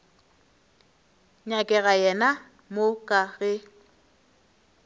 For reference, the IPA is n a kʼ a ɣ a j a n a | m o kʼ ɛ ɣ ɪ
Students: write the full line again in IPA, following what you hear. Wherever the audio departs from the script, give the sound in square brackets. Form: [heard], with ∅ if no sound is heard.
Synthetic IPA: [ɲ] a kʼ [ɛ] ɣ a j [ɛ] n a | m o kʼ [a] ɣ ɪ

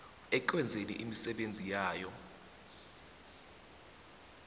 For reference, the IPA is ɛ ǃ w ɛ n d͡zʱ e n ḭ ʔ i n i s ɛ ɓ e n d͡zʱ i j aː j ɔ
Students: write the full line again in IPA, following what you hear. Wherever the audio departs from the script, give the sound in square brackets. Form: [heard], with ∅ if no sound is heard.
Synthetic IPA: ɛ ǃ w ɛ n d͡zʱ e n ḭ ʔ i [m] i s ɛ ɓ e n d͡zʱ i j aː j ɔ

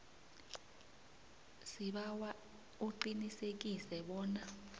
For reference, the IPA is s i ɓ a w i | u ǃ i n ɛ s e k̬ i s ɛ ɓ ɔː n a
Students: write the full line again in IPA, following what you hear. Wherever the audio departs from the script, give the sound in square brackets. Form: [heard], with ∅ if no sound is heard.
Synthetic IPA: s i ɓ a w [a] | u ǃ i n [i] s e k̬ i s ɛ ɓ ɔː n a

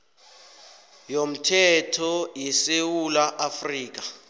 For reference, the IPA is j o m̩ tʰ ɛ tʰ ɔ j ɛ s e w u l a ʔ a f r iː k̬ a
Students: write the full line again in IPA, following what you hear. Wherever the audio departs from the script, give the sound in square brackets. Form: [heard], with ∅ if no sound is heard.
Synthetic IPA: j o m̩ tʰ ɛ tʰ ɔ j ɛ s e w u l a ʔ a f r iː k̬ a

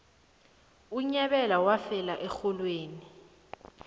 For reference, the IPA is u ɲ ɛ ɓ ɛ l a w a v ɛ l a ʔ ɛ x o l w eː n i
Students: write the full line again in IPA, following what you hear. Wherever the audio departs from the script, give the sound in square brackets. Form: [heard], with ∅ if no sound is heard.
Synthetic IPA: u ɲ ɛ ɓ ɛ l a w a [f] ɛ l a ʔ ɛ x [ɔ] l w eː n i

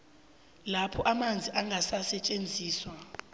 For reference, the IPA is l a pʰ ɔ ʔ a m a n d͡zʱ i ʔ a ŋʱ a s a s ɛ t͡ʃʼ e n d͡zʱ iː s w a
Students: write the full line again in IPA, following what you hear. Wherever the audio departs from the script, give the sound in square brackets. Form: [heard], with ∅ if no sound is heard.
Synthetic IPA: l a pʰ ɔ ʔ a m a n d͡zʱ i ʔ a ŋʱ a s a s ɛ t͡ʃʼ e n d͡zʱ iː s w a

